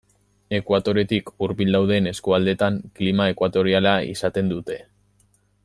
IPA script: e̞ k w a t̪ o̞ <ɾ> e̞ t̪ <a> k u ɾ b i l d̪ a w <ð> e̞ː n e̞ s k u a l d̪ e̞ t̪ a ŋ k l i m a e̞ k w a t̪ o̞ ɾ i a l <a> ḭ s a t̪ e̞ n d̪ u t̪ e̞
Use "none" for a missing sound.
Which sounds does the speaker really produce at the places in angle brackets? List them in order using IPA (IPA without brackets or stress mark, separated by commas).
ɾ, i, ð, a